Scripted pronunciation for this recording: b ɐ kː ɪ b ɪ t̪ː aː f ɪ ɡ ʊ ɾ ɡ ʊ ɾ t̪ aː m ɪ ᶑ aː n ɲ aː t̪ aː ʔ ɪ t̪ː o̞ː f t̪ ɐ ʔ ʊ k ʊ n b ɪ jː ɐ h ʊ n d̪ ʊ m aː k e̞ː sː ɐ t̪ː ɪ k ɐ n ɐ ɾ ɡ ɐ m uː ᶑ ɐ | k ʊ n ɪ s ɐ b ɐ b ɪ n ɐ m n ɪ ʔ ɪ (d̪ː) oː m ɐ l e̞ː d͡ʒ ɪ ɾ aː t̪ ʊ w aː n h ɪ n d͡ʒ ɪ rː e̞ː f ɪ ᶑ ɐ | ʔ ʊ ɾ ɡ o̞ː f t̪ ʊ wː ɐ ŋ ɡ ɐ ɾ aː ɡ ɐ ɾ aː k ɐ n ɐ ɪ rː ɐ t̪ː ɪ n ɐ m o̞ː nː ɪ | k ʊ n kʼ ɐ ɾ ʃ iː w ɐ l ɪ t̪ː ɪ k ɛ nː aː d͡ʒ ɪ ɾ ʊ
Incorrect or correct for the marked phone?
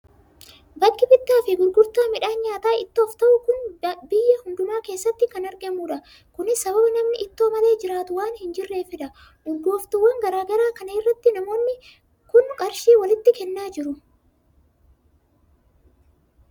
incorrect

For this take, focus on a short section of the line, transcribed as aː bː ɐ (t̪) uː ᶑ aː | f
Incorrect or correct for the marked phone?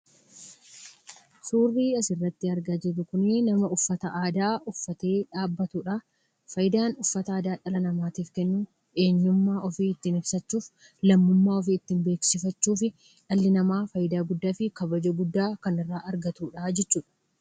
correct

